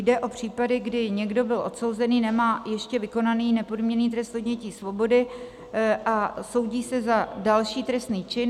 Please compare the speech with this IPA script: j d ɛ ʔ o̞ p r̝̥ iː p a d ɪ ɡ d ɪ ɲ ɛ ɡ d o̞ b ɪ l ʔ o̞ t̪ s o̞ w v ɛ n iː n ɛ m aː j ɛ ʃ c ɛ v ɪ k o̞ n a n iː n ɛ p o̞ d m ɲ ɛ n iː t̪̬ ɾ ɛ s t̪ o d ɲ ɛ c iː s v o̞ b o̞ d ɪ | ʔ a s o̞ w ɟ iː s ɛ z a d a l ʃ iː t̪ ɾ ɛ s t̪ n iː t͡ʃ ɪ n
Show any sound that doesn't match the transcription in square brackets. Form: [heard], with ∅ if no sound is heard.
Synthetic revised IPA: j d ɛ ʔ o̞ p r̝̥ iː p a d ɪ ɡ d ɪ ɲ ɛ ɡ d o̞ b ɪ l ʔ o̞ t̪ s o̞ w [z] ɛ n iː n ɛ m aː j ɛ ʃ c ɛ v ɪ k o̞ n a n iː n ɛ p o̞ d m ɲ ɛ n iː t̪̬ ɾ ɛ s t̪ o d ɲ ɛ c iː s v o̞ b o̞ d ɪ | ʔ a s o̞ w ɟ iː s ɛ z a d a l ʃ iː t̪ ɾ ɛ s t̪ n iː t͡ʃ ɪ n